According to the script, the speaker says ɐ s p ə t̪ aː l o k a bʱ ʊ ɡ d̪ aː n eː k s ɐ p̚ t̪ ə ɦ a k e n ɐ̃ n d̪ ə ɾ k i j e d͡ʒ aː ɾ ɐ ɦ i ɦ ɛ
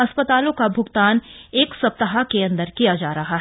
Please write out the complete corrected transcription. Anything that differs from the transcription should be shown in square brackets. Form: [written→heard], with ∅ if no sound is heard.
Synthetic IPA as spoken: ɐ s p ə t̪ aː l [o→õ] k a bʱ ʊ ɡ [d̪→t̪] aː n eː k s ɐ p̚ t̪ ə ɦ a k e [n→∅] ɐ̃ n d̪ ə ɾ k i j [e→a] d͡ʒ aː ɾ ɐ ɦ [i→a] ɦ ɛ